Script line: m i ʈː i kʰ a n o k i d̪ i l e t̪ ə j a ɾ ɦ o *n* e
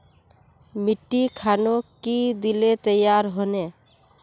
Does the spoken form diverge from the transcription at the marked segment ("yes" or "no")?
no